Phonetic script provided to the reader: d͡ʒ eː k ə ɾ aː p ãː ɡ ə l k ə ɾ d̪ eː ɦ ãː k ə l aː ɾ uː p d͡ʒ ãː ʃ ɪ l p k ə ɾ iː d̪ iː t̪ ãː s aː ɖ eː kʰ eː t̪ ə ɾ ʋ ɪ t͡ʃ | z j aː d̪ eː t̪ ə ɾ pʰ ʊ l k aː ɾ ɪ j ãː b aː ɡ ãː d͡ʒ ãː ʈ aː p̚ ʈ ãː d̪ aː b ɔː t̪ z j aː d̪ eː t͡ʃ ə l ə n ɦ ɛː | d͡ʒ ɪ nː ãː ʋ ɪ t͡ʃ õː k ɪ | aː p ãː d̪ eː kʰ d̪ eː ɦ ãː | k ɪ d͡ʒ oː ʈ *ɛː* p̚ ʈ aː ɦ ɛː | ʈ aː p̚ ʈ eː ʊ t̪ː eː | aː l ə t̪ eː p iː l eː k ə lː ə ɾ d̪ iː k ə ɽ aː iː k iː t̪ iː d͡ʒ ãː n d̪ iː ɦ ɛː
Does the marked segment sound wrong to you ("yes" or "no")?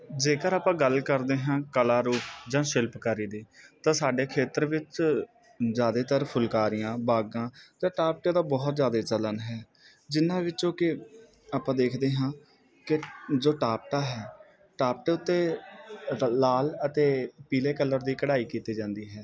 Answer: yes